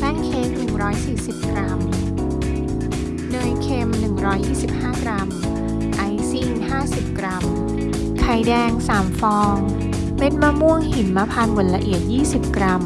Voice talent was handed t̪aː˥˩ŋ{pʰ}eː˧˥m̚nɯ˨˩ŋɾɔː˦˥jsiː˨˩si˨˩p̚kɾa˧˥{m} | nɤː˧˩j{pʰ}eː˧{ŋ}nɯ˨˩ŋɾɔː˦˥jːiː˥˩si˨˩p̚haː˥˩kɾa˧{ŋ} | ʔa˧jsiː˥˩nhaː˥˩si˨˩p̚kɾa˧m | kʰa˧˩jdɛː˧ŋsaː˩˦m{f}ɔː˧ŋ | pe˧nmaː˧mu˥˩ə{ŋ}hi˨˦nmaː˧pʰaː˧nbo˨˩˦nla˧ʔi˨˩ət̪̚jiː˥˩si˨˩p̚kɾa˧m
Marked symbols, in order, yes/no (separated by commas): no, yes, no, no, no, yes, yes